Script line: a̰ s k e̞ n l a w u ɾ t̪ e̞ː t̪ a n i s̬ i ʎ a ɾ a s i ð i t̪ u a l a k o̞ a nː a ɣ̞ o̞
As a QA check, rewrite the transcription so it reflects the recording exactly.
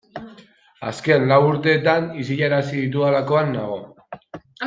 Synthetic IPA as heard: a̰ s k e̞ n l a w u ɾ t̪ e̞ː t̪ a n i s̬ i ʎ a ɾ a s i ð i t̪ u a l a k o̞ a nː a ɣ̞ o̞